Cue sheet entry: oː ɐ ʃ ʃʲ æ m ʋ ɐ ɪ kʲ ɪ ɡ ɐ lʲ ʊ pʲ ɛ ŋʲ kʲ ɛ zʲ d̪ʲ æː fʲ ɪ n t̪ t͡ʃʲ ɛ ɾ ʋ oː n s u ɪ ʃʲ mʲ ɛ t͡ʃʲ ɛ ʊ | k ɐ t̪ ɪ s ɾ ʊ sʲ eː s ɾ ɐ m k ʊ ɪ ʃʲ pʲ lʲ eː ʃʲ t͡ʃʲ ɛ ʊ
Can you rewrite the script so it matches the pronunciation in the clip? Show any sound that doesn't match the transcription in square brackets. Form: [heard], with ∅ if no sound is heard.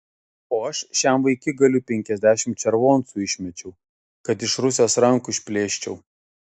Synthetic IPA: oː ɐ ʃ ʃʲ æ m ʋ ɐ ɪ kʲ ɪ ɡ ɐ lʲ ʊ pʲ ɛ ŋʲ kʲ ɛ zʲ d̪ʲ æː [ʃʲ] ɪ [m] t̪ t͡ʃʲ ɛ ɾ ʋ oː n s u ɪ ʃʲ mʲ ɛ t͡ʃʲ ɛ ʊ | k ɐ t̪ ɪ [ʃ] ɾ ʊ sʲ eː s ɾ ɐ [ŋ] k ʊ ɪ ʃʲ pʲ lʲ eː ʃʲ t͡ʃʲ ɛ ʊ